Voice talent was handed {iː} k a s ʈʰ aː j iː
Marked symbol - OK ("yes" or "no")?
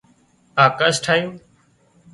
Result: no